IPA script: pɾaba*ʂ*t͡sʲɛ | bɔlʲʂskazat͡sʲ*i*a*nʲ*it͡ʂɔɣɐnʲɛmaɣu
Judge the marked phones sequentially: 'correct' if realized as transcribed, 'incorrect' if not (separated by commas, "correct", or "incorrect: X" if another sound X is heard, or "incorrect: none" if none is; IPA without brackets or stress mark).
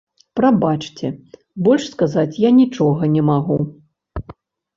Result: incorrect: t͡ʂ, incorrect: j, correct